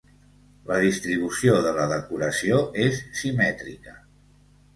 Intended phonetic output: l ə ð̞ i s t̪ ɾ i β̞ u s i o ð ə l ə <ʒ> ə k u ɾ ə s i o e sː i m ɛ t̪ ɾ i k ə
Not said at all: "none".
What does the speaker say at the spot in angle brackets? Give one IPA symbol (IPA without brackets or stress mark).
ð